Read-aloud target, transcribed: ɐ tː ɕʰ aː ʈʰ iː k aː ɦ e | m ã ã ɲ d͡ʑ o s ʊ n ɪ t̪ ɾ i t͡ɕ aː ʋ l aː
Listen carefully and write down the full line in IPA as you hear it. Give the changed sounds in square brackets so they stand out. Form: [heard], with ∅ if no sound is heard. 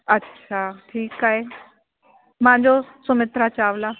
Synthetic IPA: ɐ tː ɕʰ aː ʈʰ iː k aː ɦ e | m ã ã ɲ d͡ʑ o s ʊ [m] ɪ t̪ ɾ [a] t͡ɕ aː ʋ l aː